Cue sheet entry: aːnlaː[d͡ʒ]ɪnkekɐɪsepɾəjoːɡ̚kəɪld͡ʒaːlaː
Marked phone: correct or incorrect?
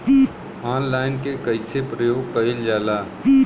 incorrect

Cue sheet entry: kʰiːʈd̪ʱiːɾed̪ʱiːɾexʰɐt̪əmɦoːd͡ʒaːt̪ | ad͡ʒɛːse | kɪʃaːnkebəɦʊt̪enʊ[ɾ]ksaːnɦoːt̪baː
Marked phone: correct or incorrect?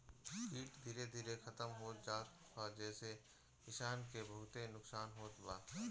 incorrect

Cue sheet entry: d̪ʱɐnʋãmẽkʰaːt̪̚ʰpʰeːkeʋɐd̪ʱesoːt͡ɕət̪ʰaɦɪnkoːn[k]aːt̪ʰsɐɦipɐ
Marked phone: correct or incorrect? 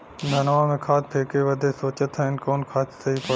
incorrect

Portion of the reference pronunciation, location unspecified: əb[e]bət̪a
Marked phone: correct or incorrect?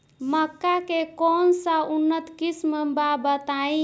incorrect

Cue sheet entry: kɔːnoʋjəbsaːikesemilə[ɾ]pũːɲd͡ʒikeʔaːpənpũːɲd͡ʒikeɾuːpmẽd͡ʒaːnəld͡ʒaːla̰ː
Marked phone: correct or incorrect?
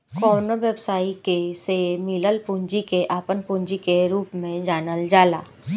incorrect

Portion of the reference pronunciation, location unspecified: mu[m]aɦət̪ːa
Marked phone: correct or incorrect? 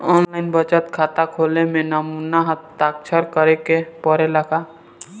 incorrect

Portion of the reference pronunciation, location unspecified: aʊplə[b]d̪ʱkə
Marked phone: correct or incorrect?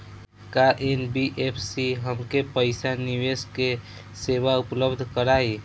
correct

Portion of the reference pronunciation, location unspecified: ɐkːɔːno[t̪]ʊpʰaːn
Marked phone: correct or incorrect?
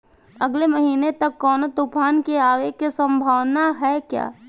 correct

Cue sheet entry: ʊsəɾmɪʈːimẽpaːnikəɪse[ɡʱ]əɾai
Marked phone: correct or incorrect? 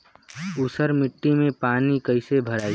incorrect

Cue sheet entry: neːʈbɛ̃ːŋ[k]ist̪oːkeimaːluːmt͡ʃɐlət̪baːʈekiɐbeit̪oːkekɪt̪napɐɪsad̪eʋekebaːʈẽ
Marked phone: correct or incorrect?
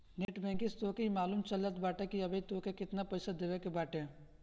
correct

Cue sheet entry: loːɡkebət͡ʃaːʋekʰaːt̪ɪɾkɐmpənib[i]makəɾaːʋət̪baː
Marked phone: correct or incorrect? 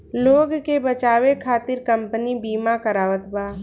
incorrect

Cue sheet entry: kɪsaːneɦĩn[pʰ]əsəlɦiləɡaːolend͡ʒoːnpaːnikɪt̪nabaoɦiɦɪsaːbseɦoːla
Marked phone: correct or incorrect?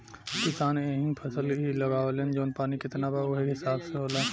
correct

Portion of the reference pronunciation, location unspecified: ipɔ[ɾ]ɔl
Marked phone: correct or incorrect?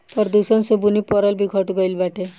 correct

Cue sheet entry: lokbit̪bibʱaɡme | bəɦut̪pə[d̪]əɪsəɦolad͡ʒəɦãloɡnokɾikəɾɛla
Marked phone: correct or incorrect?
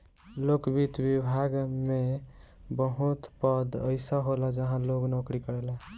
correct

